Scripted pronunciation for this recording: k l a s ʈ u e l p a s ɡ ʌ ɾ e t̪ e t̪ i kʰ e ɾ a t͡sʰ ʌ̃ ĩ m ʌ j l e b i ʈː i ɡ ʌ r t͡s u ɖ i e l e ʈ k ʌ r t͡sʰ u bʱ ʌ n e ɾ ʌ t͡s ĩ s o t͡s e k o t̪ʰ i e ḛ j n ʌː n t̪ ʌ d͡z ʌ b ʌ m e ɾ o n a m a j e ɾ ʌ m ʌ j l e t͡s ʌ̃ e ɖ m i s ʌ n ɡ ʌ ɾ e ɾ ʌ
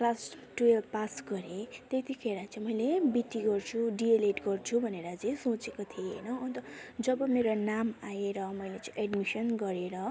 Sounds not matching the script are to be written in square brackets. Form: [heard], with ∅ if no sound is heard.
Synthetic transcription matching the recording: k l a s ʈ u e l p a s ɡ ʌ ɾ e t̪ e t̪ i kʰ e ɾ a [t͡s] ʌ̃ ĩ m ʌ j l e b i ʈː i ɡ ʌ r [t͡sʰ] u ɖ i e l e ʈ [ɡ] ʌ r t͡sʰ u bʱ ʌ n e ɾ ʌ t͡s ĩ s o t͡s e k o t̪ʰ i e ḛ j n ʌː n t̪ ʌ d͡z ʌ b ʌ m e ɾ o n a m a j e ɾ ʌ m ʌ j l e t͡s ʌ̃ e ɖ m i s ʌ n ɡ ʌ ɾ e ɾ ʌ